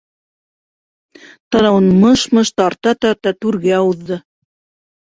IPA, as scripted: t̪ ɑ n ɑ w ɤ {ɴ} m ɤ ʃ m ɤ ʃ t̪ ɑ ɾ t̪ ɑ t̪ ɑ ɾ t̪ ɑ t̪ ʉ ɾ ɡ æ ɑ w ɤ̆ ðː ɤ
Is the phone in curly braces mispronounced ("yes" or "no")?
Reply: yes